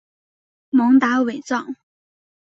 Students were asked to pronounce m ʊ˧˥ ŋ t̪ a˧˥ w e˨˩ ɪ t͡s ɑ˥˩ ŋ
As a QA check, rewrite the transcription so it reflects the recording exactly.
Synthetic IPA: m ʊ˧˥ ŋ t̪ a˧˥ w e˨˩ ɪ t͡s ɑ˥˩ ŋ